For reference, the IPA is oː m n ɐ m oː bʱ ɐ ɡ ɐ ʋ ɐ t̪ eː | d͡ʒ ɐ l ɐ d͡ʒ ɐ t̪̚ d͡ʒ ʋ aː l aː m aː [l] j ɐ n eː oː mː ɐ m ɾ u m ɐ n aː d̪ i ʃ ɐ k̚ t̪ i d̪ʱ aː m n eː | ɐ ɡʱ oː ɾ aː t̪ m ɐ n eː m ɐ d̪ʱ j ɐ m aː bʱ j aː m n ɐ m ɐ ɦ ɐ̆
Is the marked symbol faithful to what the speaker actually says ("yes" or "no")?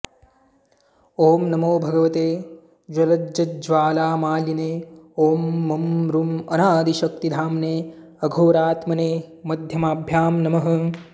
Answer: yes